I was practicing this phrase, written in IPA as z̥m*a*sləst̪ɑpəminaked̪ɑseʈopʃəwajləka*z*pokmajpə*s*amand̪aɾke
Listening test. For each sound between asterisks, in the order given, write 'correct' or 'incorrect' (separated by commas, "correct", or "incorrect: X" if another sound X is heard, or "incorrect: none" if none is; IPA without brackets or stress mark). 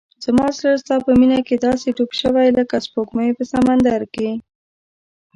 incorrect: ɑ, incorrect: s, correct